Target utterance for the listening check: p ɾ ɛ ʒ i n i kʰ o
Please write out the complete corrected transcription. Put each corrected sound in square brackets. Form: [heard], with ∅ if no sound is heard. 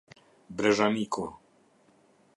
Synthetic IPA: [b] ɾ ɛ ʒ [a] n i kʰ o